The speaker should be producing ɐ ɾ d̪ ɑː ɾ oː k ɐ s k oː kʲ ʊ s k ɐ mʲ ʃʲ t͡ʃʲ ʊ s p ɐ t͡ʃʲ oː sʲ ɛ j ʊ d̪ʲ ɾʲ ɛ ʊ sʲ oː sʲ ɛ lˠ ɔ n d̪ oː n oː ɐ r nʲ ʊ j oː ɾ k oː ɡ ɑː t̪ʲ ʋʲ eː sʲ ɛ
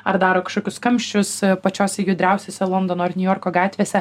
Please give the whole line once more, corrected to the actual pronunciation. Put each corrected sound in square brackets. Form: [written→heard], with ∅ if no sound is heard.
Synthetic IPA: ɐ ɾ d̪ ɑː ɾ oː k ɐ [s→ʃ] k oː kʲ ʊ s k ɐ mʲ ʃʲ t͡ʃʲ ʊ s p ɐ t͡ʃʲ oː sʲ ɛ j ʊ d̪ʲ ɾʲ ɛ ʊ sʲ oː sʲ ɛ lˠ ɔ n d̪ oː n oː ɐ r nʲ ʊ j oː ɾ k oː ɡ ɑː t̪ʲ ʋʲ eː sʲ ɛ